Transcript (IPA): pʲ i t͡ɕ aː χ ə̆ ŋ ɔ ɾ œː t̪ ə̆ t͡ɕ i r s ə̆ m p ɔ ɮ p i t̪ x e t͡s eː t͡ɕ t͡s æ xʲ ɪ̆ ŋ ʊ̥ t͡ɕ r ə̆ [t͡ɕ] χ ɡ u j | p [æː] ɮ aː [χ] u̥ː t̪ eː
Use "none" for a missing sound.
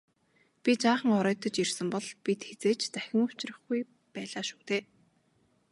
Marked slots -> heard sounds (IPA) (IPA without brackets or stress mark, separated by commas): none, æː, ʃ